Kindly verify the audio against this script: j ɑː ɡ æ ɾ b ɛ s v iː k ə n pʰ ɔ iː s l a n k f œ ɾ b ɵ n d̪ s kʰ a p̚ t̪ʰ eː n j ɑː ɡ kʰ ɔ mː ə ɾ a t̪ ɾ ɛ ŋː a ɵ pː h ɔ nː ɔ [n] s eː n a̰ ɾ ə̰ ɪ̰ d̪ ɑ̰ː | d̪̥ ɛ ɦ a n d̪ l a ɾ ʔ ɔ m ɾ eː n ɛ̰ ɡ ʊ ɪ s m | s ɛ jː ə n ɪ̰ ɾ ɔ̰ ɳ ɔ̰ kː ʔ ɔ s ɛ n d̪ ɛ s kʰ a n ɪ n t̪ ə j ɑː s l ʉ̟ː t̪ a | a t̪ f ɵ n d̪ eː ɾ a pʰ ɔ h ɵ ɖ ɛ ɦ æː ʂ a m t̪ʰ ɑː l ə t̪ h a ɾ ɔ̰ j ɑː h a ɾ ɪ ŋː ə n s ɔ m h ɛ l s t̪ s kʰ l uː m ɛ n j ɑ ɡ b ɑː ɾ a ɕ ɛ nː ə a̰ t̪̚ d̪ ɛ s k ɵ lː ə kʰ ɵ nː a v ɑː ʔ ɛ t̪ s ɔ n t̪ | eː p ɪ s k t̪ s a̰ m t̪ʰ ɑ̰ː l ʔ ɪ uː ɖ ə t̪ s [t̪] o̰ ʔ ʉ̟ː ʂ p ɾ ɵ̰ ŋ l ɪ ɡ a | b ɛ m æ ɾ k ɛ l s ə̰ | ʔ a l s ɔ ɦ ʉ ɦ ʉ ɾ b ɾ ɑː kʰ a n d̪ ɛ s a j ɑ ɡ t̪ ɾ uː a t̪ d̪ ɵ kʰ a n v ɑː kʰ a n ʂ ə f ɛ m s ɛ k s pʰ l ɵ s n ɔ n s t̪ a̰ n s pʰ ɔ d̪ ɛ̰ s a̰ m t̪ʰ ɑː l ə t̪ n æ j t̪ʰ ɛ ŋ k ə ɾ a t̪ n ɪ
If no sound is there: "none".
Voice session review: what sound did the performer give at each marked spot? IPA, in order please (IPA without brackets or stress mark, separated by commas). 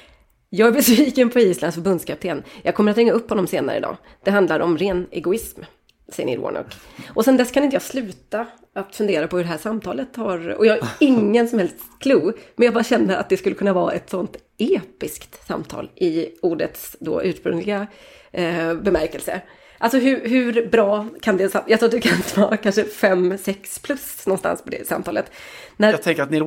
m, d̪